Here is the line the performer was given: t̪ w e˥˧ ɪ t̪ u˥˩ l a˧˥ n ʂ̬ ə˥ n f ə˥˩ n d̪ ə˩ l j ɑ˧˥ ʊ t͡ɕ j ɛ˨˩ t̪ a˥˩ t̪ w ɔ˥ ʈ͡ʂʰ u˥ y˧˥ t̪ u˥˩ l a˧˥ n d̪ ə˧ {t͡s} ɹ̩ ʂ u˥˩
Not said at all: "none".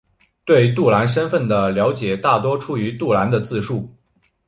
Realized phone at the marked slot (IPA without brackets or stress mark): t͡s